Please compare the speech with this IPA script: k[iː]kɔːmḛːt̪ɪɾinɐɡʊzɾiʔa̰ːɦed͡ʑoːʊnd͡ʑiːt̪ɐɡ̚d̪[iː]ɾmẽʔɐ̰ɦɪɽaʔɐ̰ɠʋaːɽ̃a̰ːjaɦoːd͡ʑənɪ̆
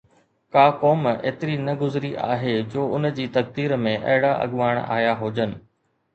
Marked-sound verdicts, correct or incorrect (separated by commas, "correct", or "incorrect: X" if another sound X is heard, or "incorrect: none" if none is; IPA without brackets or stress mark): incorrect: aː, correct